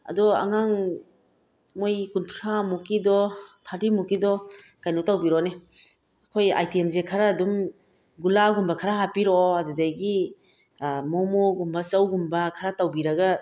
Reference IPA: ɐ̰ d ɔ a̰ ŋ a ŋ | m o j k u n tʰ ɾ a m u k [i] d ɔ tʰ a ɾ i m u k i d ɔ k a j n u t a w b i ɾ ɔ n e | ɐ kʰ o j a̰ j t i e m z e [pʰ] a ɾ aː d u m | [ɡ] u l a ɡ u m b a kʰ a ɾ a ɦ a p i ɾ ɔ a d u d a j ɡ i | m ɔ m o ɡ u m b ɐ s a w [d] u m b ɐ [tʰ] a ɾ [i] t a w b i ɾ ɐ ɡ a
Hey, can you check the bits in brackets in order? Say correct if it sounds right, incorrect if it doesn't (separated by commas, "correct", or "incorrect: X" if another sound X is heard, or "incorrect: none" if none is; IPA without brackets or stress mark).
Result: correct, incorrect: kʰ, correct, incorrect: ɡ, incorrect: kʰ, incorrect: a